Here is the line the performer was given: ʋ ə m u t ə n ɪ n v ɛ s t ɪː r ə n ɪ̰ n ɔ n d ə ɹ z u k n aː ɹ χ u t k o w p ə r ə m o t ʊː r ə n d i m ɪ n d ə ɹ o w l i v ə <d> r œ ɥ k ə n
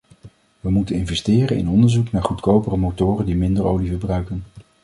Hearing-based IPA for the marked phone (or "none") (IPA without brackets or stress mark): b